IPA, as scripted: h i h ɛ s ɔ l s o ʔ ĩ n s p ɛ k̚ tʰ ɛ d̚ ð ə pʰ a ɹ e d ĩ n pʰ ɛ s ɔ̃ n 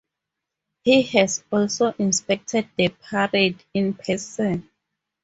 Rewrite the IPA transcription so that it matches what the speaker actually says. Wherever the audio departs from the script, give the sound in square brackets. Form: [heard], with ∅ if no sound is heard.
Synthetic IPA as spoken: h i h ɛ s ɔ l s o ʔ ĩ n s p ɛ k̚ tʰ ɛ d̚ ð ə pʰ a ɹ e d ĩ n pʰ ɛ s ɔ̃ n